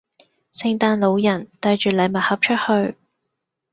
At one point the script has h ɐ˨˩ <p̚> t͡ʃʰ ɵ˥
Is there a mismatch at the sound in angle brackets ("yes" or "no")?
no